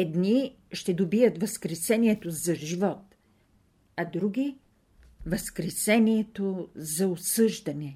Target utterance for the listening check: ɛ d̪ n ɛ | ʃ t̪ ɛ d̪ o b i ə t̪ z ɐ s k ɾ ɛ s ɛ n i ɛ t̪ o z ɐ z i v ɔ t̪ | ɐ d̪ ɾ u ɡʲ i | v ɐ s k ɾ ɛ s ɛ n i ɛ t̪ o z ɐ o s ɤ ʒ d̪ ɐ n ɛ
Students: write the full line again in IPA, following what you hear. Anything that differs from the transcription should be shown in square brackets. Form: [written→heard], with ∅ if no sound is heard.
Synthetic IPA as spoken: ɛ d̪ n [ɛ→i] | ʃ t̪ ɛ d̪ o b i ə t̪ [z→v] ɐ s k ɾ ɛ s ɛ n i ɛ t̪ o z ɐ [z→ʒ] i v ɔ t̪ | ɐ d̪ ɾ u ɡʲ i | v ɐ s k ɾ ɛ s ɛ n i ɛ t̪ o z ɐ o s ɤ ʒ d̪ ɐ n ɛ